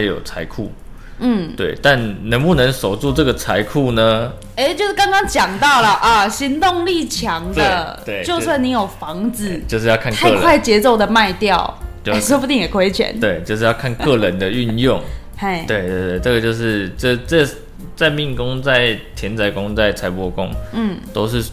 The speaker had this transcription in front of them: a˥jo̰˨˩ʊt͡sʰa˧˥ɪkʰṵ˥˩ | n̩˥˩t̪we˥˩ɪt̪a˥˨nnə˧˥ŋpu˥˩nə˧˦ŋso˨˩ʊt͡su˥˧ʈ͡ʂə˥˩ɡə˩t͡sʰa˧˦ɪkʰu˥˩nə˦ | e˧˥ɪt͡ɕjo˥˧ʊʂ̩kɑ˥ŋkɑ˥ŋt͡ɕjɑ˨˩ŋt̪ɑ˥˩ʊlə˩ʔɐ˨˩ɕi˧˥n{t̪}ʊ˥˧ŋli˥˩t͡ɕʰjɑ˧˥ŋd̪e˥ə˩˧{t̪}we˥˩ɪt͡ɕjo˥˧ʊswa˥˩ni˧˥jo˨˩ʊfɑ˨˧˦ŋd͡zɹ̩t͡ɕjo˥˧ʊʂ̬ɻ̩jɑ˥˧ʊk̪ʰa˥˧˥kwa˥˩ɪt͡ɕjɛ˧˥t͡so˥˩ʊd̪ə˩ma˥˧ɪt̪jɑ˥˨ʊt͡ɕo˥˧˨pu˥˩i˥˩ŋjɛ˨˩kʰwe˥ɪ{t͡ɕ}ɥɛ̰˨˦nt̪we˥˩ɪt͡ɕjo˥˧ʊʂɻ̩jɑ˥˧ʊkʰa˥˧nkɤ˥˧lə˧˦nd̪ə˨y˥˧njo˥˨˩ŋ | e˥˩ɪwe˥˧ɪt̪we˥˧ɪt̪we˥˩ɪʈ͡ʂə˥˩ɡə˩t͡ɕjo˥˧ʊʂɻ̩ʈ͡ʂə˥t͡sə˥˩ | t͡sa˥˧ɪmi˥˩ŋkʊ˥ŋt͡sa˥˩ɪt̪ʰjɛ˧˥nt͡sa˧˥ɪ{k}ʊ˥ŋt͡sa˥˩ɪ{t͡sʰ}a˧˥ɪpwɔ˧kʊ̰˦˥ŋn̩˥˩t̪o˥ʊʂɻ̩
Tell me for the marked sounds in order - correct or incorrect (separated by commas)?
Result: correct, correct, incorrect, correct, correct